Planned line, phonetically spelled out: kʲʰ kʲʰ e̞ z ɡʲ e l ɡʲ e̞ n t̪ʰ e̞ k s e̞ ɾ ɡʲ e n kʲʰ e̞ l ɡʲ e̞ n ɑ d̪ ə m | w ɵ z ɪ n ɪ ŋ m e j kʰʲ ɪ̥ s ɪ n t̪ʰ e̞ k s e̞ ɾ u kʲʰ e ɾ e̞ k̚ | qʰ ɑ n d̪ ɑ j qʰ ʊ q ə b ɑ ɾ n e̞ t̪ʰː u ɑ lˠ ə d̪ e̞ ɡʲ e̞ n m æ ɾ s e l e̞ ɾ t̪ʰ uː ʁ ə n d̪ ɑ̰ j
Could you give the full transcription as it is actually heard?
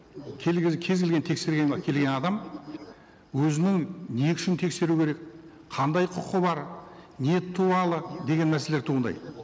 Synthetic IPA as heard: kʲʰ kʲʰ e̞ z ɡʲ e l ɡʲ e̞ n t̪ʰ e̞ k s e̞ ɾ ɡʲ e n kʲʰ e̞ l ɡʲ e̞ n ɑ d̪ ɑ m | w ɵ z ɪ n ɪ ŋ n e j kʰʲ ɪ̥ ʃ ɪ n t̪ʰ e̞ k s e̞ ɾ u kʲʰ e ɾ e̞ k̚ | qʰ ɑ n d̪ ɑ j qʰ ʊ q ə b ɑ ɾ n e̞ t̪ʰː u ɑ lˠ ə d̪ e̞ ɡʲ e̞ n m æ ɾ s e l e̞ ɾ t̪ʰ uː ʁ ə n d̪ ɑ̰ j